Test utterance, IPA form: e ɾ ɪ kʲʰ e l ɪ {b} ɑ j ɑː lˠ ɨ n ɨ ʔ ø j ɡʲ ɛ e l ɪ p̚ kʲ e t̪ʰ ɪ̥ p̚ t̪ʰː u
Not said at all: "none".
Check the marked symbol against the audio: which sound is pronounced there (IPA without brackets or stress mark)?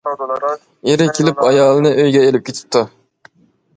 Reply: p